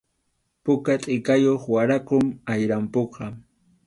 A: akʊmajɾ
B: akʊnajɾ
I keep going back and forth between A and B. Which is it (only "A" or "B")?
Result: A